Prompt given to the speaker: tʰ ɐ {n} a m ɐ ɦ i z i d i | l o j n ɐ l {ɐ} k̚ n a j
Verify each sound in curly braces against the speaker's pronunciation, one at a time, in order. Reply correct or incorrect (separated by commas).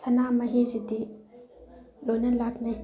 correct, incorrect